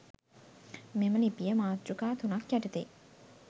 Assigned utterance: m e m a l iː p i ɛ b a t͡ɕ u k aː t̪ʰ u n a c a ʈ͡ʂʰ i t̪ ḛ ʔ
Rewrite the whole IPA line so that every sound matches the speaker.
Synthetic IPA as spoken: m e m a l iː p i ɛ m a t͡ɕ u k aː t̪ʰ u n a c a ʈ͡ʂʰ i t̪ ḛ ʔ